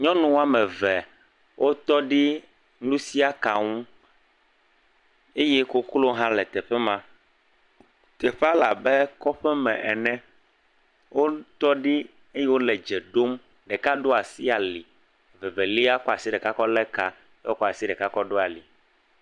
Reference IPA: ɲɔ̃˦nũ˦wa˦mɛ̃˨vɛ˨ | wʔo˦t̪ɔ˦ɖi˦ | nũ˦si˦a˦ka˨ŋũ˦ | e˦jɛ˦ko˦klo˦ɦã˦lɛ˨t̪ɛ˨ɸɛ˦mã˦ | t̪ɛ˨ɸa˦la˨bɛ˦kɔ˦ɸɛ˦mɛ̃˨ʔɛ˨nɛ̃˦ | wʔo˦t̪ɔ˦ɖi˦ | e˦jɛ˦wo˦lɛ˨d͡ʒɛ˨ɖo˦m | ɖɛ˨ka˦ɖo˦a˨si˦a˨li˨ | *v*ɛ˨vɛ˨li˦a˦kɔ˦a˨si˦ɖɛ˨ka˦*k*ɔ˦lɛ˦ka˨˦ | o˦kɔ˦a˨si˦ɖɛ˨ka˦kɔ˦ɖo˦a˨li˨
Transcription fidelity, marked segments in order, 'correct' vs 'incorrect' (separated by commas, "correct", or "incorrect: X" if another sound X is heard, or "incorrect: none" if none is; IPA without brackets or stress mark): correct, correct